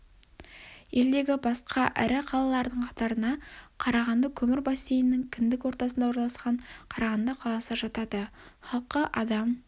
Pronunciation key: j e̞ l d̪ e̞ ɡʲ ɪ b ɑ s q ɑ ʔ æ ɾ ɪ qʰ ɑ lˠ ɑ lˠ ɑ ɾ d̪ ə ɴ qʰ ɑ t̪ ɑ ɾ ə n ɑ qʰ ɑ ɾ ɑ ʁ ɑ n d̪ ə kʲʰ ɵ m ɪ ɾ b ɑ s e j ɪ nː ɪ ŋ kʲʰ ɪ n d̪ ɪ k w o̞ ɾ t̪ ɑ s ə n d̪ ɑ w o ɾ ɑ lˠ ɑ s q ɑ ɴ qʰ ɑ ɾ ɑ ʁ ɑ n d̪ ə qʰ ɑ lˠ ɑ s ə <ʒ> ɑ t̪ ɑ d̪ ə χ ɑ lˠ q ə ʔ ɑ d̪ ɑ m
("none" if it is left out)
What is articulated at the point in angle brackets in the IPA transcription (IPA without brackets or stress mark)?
ʒ